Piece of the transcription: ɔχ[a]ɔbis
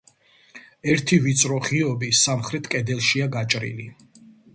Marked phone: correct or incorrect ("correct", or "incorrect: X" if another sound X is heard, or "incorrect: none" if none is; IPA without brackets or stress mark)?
incorrect: i